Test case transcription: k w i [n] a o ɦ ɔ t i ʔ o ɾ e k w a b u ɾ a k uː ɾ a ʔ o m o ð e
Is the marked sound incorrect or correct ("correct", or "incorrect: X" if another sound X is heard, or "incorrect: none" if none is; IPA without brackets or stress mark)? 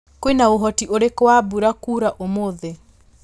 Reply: correct